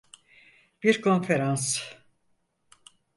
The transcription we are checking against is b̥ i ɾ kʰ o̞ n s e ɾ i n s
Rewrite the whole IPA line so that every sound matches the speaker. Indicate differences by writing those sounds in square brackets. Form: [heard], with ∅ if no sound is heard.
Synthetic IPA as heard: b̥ i ɾ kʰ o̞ n [f] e ɾ [a] n s